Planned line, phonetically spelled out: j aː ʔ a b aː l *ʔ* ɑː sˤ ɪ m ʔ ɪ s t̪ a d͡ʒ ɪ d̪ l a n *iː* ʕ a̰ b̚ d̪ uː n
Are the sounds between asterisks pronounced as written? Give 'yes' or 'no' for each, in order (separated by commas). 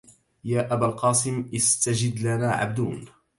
no, no